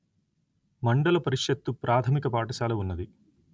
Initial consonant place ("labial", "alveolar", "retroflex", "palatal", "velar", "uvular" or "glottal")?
labial